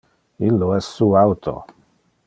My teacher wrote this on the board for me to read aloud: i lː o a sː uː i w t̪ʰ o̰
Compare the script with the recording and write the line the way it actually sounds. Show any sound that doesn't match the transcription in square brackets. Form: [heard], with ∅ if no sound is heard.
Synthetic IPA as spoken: i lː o [ɛ] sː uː [a] w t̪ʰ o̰